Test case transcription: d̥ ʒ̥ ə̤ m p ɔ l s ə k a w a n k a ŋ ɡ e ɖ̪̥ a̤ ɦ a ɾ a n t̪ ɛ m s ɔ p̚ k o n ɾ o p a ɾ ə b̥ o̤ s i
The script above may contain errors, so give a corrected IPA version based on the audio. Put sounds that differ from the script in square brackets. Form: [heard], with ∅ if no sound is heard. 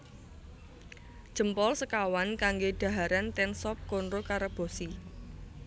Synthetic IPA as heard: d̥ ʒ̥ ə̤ m p ɔ l s ə k a w a n k a ŋ ɡ e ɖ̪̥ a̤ ɦ a ɾ a n t̪ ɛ [n] s ɔ p̚ k o n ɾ o [k] a ɾ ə b̥ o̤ s i